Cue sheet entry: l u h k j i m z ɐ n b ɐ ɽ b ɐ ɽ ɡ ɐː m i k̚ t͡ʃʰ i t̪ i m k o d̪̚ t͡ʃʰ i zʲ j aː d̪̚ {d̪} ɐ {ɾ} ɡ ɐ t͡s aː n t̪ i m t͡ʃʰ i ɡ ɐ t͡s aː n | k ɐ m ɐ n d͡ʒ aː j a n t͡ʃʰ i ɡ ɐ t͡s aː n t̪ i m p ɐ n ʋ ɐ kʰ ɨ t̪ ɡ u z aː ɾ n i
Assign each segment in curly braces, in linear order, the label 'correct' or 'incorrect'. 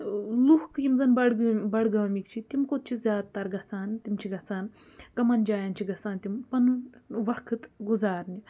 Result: incorrect: t̪, correct

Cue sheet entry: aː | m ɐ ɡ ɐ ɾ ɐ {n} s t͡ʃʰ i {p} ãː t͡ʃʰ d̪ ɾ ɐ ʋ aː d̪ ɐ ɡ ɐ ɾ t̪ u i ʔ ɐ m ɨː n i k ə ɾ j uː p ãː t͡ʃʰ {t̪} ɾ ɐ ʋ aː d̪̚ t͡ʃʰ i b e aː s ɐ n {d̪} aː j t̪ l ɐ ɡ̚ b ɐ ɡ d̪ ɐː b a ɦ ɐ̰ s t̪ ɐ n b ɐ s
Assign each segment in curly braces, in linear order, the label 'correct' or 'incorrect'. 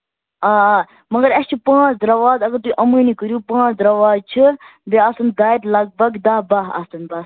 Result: incorrect: none, correct, incorrect: d̪, correct

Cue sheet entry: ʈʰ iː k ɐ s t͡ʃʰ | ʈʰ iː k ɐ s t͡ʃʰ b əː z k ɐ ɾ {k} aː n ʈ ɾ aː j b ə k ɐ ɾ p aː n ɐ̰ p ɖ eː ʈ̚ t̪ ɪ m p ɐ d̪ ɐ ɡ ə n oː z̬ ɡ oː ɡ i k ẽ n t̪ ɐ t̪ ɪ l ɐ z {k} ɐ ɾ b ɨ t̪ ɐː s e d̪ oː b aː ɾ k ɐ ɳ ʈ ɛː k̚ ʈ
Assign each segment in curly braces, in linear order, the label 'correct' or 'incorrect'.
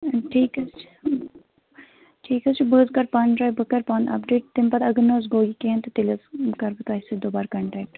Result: incorrect: p, correct

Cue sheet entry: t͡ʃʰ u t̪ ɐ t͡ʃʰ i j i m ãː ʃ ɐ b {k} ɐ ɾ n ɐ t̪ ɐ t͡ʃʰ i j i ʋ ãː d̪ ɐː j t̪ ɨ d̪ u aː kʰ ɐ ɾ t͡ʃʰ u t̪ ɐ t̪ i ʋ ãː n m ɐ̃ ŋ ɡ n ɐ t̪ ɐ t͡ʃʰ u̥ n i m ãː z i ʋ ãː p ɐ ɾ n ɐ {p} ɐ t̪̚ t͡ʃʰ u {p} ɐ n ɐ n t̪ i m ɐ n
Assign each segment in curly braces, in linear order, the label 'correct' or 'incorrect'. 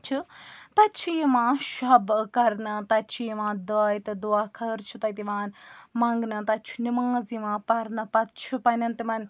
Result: correct, correct, correct

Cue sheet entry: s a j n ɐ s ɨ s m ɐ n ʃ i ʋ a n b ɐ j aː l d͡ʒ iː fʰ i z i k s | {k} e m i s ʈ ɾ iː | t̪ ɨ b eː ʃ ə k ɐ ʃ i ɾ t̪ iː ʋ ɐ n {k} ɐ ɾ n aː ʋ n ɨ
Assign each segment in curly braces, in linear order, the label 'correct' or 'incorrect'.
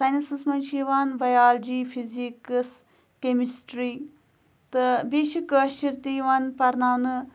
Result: correct, incorrect: p

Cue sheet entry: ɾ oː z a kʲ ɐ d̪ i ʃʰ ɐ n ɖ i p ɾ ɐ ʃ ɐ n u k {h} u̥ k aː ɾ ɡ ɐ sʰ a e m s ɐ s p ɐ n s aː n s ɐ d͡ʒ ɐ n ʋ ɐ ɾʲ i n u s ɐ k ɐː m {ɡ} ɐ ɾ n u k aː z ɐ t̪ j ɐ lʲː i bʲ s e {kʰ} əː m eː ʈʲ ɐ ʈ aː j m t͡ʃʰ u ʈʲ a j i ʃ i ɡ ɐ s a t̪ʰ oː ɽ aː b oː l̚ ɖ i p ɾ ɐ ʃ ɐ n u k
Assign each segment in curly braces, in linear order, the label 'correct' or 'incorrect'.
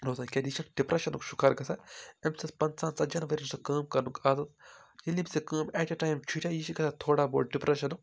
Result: incorrect: ʃ, incorrect: k, incorrect: k

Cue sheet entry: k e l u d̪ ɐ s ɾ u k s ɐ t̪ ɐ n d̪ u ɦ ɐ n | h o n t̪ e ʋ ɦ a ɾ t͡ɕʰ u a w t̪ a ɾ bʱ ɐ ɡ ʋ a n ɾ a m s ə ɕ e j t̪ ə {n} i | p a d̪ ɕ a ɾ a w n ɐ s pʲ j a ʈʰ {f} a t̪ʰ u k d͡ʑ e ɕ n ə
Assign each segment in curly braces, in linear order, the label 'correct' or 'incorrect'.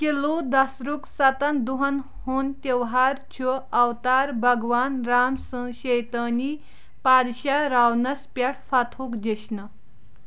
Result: correct, correct

